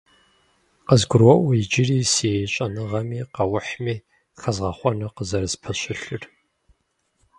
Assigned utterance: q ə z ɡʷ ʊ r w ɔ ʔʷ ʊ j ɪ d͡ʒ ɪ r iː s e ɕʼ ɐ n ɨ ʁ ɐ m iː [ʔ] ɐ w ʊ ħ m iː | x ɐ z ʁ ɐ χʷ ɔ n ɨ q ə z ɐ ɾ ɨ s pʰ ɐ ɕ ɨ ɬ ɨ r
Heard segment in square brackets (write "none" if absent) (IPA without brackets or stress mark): q